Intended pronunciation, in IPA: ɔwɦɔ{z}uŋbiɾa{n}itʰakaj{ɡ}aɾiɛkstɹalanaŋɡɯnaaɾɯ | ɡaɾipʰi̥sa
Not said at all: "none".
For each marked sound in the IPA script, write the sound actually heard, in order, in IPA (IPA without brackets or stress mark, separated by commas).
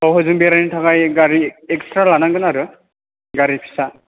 z, n, ɡ